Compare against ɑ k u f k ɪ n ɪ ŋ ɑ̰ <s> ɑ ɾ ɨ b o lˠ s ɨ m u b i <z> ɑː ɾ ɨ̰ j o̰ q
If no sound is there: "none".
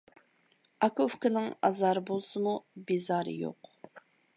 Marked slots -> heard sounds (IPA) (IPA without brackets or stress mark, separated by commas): z, z